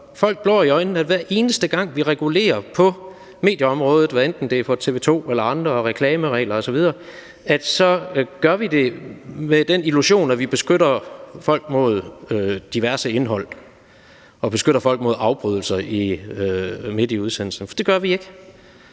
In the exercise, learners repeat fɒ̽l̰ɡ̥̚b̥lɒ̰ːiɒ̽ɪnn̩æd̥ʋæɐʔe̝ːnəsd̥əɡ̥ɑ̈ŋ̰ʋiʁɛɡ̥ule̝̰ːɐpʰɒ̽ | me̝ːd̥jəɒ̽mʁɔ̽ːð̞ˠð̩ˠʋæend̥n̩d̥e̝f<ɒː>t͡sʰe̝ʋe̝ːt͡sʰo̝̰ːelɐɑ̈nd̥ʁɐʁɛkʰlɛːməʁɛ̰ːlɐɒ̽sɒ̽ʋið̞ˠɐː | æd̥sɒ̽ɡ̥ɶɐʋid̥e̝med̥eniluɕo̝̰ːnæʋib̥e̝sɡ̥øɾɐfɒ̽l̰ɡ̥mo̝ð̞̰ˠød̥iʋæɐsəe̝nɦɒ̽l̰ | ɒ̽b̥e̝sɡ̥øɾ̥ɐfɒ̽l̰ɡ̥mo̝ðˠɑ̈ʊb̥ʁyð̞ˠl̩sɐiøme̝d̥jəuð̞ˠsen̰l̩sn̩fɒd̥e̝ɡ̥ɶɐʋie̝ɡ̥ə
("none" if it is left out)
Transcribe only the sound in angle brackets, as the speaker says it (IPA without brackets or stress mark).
ɒ